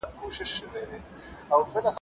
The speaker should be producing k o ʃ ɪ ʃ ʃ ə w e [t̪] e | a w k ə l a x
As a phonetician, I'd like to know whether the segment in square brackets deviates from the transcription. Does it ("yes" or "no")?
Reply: yes